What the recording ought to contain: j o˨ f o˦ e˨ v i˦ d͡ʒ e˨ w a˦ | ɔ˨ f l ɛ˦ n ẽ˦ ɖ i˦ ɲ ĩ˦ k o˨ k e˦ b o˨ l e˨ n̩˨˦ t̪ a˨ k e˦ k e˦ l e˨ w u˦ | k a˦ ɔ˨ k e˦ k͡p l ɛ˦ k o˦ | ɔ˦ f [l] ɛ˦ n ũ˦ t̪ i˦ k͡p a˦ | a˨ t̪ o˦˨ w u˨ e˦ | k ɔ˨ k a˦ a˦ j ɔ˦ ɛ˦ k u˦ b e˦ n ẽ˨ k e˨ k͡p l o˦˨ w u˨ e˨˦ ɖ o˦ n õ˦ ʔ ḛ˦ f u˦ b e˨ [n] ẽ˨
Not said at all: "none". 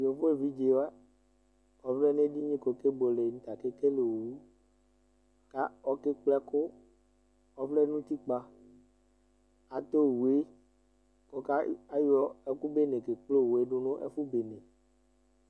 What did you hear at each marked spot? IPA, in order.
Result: l, n

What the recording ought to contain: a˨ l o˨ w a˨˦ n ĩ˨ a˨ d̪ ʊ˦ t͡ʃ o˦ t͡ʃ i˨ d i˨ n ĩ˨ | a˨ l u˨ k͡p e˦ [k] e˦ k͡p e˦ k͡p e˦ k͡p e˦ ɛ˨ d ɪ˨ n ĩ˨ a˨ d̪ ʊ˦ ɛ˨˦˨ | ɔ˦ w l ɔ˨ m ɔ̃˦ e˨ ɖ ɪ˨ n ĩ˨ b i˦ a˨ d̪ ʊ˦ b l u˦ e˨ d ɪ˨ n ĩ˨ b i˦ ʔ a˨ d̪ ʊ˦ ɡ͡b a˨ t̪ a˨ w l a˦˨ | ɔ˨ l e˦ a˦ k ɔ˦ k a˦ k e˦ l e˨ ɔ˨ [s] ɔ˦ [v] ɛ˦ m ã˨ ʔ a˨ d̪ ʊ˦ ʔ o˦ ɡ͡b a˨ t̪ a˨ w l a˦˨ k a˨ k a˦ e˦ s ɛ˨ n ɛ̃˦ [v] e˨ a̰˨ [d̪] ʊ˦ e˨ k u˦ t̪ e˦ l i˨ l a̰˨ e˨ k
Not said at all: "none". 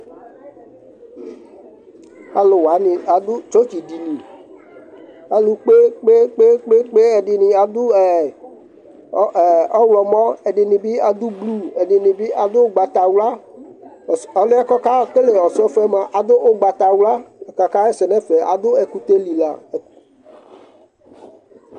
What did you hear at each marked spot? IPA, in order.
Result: k͡p, s, f, f, d̪

